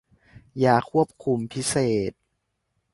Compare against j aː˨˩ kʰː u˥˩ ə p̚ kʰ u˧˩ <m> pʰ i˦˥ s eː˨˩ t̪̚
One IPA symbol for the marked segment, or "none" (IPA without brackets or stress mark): m